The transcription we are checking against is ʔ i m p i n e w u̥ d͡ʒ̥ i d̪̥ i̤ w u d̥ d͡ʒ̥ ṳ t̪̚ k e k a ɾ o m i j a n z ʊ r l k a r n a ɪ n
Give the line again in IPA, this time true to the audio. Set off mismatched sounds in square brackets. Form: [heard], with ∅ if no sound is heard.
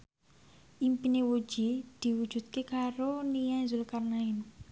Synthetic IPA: ʔ i m p i n e w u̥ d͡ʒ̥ i d̪̥ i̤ w u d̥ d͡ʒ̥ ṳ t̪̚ k e k a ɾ o [n] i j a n z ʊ [∅] l k a r n a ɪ n

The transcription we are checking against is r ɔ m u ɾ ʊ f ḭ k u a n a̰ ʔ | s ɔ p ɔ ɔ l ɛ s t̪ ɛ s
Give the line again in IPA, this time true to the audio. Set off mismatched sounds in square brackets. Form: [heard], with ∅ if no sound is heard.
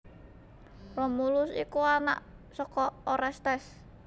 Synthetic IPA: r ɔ m u [l] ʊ [s] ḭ k u a n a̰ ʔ | s ɔ [k] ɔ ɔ [ɾ] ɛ s t̪ ɛ s

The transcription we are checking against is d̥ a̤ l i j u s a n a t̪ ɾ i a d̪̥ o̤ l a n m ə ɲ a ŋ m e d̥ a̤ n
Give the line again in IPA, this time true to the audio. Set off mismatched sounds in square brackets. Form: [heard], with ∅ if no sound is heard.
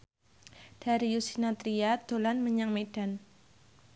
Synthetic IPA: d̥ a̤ [ɾ] i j u s [i] n a t̪ ɾ i a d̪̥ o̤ l a n m ə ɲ a ŋ m e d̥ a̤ n

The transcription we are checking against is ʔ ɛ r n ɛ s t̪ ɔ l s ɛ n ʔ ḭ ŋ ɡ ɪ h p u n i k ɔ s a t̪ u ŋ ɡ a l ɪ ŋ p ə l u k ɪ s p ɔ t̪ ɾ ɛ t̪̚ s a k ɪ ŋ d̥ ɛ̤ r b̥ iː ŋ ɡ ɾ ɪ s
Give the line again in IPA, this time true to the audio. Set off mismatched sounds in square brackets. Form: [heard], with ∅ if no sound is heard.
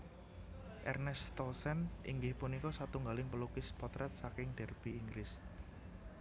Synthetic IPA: ʔ ɛ r n ɛ s t̪ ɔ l s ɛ n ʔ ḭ ŋ ɡ ɪ h p u n i k ɔ s a t̪ u ŋ ɡ a l ɪ ŋ p ə l u k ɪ s p ɔ t̪ ɾ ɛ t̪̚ s a k ɪ ŋ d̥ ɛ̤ r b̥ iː ŋ ɡ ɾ ɪ s

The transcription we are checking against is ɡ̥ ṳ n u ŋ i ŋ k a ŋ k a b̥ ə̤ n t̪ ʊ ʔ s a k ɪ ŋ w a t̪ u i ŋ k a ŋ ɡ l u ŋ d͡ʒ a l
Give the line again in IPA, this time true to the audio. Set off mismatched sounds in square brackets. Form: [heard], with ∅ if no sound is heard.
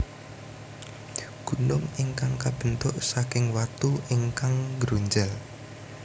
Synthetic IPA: ɡ̥ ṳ n [ʊ] ŋ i ŋ k a ŋ k a b̥ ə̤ n t̪ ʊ ʔ s a k ɪ ŋ w a t̪ u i ŋ k a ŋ ɡ [ɾ] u [ɲ] d͡ʒ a l

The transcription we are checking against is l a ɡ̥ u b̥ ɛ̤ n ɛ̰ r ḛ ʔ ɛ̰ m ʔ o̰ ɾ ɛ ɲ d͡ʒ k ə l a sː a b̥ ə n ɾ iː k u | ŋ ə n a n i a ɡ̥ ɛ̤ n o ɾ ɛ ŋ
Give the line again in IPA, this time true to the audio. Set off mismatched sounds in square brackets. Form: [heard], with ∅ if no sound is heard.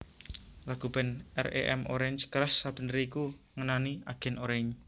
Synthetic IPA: l a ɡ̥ u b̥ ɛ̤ n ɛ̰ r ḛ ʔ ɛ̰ m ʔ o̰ ɾ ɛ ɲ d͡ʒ k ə [ɾ] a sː a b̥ ə n ɾ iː k u | ŋ ə n a n i a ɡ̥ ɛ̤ n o ɾ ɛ [ɲ]

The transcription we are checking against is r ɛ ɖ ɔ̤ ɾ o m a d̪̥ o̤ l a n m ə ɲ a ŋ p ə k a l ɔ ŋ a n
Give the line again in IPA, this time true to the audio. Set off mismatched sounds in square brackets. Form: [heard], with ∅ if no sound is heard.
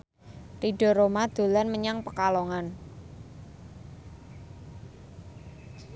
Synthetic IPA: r [i] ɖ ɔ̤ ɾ o m a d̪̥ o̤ l a n m ə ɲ a ŋ p ə k a l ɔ ŋ a n

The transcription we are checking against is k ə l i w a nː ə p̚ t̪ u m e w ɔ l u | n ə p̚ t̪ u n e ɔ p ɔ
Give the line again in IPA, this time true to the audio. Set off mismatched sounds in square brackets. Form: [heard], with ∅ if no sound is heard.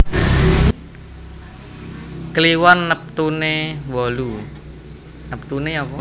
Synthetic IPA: k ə l i w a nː ə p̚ t̪ u [n] e w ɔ l u | n ə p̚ t̪ u n e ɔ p ɔ

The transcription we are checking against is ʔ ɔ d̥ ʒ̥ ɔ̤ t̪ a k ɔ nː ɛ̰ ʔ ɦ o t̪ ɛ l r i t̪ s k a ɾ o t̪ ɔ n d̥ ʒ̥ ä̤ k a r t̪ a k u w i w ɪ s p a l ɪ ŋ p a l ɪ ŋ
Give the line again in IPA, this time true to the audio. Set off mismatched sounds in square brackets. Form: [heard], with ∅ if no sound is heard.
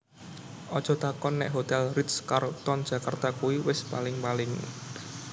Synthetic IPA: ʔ ɔ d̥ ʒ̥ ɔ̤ t̪ a k ɔ nː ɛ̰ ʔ ɦ o t̪ ɛ l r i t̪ s k a ɾ o t̪ ɔ n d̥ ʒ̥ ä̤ k a r t̪ a k u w i w ɪ s p a l ɪ ŋ p a l ɪ ŋ

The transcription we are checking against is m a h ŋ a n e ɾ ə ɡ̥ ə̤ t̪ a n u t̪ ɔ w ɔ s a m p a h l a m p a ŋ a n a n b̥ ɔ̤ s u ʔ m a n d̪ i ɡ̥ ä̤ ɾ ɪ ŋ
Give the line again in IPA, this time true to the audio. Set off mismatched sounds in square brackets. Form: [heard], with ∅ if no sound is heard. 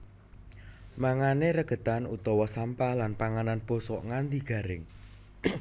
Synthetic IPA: m a [∅] ŋ a n e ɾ ə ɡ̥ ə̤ t̪ a n u t̪ ɔ w ɔ s a m p a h l a [n] p a ŋ a n a n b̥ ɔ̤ s [ɔ] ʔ [ŋ] a n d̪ i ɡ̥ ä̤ ɾ ɪ ŋ

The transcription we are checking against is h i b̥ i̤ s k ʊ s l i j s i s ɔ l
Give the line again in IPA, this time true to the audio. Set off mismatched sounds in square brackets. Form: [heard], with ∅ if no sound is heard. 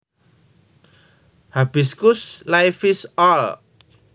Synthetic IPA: h [a] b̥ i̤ s k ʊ s l [a] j [f] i s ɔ l

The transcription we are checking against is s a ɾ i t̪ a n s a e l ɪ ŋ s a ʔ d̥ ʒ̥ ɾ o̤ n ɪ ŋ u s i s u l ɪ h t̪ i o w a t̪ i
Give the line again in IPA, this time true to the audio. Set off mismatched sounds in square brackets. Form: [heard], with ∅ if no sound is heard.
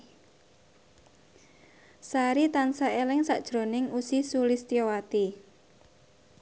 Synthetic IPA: s a ɾ i t̪ a n s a e l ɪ ŋ s a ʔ d̥ ʒ̥ ɾ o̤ n ɪ ŋ u s i s u l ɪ [s] t̪ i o w a t̪ i

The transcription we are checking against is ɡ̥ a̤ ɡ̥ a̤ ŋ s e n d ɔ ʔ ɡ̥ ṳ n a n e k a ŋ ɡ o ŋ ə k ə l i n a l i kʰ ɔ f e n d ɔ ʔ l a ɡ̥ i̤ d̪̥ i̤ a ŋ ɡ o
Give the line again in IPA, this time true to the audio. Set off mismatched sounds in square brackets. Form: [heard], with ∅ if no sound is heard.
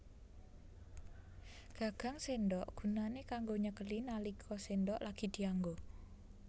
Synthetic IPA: ɡ̥ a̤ ɡ̥ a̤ ŋ s e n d ɔ ʔ ɡ̥ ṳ n a n e k a ŋ ɡ o [ɲ] ə k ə l i n a l i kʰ ɔ [s] e n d ɔ ʔ l a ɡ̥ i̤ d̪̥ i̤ a ŋ ɡ o

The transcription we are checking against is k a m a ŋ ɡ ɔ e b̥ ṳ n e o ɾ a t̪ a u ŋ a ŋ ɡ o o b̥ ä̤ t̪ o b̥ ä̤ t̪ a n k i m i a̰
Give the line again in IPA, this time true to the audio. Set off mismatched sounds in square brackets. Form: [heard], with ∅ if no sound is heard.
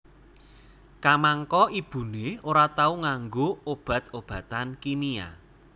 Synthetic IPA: k a m a ŋ [k] ɔ [i] b̥ ṳ n e o ɾ a t̪ a u ŋ a ŋ ɡ o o b̥ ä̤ t̪ o b̥ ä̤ t̪ a n k i [n] i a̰

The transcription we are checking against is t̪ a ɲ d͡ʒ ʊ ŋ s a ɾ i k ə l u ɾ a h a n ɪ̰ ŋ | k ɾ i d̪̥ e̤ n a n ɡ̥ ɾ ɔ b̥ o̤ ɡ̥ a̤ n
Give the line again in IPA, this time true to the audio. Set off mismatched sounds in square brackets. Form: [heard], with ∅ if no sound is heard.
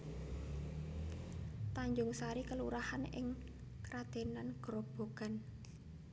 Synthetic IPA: t̪ a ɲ d͡ʒ ʊ ŋ s a ɾ i k ə l u ɾ a h a n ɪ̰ ŋ | k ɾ [a] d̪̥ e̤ n a n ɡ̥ ɾ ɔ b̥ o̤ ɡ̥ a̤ n

